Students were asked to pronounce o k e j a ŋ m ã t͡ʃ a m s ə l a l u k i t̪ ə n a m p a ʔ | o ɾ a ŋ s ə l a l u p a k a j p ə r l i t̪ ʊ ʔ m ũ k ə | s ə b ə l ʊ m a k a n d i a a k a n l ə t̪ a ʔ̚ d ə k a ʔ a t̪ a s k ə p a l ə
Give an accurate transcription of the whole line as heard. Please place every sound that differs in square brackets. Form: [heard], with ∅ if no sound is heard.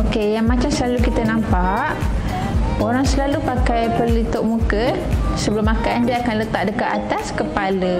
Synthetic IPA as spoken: o k e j a ŋ m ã t͡ʃ a m s ə l a l u k i t̪ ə n a m p a ʔ | o ɾ a ŋ s ə l a l u p a k a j p ə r l i t̪ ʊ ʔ m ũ k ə | s ə b ə l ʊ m a k a n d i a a k a n l ə t̪ a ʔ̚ d ə k a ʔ a t̪ a s k ə p a l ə